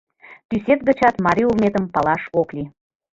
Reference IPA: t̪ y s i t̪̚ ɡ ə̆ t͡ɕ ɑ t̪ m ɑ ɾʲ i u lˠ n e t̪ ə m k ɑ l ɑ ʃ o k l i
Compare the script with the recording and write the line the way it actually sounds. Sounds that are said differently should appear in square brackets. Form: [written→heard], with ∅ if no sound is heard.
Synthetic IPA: t̪ y s [i→e] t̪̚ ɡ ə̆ t͡ɕ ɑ t̪ m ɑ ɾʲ i u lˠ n e t̪ ə m [k→p] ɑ l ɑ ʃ o k l i